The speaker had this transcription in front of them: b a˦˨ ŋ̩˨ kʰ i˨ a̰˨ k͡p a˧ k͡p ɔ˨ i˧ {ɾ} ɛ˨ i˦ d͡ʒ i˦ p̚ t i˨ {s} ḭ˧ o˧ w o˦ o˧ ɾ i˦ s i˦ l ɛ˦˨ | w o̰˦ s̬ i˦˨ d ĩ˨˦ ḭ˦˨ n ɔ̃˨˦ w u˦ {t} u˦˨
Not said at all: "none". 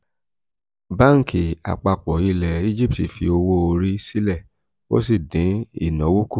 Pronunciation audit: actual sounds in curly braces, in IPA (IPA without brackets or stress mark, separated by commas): l, f, k